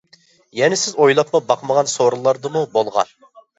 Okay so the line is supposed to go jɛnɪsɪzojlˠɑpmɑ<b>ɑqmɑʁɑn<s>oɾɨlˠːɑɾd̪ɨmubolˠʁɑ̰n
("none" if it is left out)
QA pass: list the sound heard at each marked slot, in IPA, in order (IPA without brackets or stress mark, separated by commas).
b, s